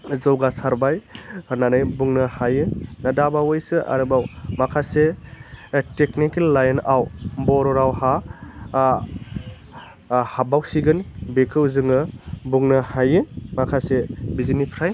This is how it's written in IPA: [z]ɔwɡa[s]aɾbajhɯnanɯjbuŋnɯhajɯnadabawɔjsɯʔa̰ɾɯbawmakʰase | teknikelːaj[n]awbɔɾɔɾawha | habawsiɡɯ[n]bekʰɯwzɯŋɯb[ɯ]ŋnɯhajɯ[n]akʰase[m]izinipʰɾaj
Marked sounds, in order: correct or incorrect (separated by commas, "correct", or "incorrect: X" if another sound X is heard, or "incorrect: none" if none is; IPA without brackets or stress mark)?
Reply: correct, correct, correct, correct, incorrect: u, incorrect: m, incorrect: b